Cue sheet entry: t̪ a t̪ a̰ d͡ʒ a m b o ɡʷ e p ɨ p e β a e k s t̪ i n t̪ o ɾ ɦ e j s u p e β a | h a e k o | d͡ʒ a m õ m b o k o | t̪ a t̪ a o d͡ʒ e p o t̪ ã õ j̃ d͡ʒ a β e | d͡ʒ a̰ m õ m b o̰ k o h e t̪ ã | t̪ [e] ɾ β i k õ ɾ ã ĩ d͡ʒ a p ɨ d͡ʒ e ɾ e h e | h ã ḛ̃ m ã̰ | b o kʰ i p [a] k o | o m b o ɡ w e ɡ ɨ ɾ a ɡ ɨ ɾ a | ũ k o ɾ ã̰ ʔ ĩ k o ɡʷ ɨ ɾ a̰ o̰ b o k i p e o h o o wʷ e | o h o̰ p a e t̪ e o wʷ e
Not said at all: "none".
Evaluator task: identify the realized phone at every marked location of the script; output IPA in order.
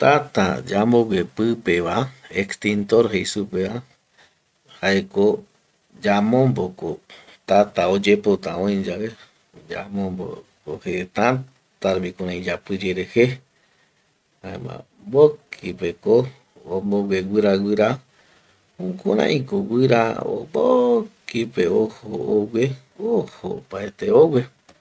a, e

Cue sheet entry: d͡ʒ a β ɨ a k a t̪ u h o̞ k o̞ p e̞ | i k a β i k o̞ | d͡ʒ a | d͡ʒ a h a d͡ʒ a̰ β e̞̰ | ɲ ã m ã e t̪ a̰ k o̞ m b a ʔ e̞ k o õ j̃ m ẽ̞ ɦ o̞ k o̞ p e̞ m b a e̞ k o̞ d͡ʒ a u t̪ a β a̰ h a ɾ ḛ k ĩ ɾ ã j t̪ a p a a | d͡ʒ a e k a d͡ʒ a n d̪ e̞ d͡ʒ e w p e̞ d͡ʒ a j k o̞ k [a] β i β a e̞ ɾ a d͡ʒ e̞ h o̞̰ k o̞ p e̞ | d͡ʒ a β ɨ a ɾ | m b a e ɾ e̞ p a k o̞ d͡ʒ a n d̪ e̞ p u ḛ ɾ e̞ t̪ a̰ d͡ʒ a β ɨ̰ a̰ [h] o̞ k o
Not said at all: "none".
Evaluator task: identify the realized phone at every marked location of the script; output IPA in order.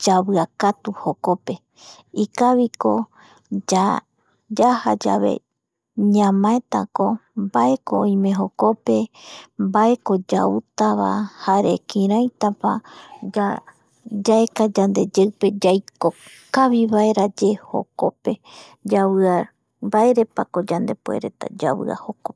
a, h

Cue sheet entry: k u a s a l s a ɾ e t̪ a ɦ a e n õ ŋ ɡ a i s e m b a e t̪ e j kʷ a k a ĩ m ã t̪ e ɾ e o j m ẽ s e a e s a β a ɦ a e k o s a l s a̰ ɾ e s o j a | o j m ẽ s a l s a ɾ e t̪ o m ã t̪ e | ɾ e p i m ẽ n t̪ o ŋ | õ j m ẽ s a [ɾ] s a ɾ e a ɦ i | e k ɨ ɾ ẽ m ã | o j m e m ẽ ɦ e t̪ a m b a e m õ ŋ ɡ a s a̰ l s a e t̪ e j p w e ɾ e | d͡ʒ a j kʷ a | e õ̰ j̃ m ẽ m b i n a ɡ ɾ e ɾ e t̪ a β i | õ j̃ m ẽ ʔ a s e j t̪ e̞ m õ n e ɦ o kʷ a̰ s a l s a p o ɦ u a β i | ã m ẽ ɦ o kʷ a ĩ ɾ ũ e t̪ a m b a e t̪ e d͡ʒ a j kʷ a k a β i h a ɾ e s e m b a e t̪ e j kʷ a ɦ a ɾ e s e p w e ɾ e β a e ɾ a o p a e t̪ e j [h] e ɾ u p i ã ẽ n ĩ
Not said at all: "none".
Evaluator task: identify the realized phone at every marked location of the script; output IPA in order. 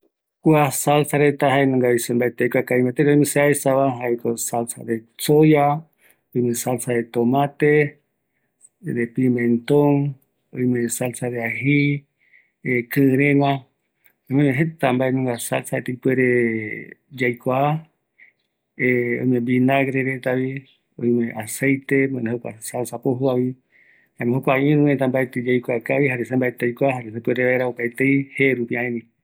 l, h

